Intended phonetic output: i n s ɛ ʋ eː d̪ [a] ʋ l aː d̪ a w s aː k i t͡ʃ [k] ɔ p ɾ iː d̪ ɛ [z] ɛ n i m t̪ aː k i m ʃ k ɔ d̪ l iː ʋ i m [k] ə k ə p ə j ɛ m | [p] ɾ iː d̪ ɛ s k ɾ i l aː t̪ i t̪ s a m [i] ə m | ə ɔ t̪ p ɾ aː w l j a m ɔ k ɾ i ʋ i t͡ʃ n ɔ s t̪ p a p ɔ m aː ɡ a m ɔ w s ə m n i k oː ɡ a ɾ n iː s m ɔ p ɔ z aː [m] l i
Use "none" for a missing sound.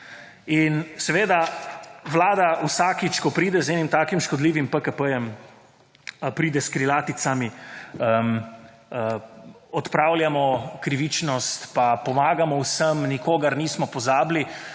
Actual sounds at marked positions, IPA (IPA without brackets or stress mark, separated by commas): a, k, z, p, p, i, b